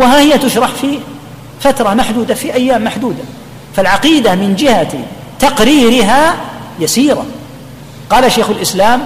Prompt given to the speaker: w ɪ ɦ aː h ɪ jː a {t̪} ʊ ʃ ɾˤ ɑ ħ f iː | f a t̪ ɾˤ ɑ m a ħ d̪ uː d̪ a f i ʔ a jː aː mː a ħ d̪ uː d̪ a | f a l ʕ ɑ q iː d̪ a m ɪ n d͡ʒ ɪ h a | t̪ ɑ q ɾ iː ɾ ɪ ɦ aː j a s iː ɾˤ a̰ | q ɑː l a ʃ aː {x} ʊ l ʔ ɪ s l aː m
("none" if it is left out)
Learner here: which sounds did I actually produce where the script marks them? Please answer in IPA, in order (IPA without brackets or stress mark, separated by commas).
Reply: t̪, x